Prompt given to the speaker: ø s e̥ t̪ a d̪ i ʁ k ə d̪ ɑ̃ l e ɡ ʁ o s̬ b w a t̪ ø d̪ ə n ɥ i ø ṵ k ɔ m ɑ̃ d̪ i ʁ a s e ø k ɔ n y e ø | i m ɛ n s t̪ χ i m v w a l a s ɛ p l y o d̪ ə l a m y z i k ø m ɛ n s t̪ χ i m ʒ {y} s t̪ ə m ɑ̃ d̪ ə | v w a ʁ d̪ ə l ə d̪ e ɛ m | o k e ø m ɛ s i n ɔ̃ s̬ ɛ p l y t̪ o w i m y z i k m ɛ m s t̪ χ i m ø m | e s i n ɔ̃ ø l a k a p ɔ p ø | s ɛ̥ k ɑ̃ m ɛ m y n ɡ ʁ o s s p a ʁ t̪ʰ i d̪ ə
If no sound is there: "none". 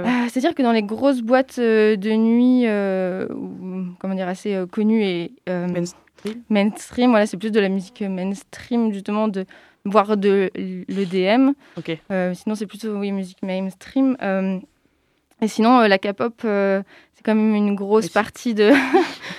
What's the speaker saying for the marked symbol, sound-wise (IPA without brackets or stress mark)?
y